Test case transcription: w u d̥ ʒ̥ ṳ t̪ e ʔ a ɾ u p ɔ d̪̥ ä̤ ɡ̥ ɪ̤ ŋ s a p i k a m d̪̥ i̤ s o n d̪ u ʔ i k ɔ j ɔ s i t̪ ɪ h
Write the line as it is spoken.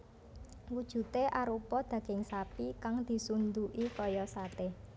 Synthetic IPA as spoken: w u d̥ ʒ̥ ṳ t̪ e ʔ a ɾ u p ɔ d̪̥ ä̤ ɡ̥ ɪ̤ ŋ s a p i k a ŋ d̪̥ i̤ s u n d̪ u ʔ i k ɔ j ɔ s a t̪ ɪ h